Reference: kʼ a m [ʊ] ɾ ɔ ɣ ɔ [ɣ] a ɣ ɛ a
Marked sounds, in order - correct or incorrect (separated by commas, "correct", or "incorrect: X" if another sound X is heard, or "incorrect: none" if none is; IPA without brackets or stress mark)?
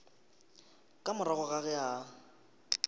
correct, correct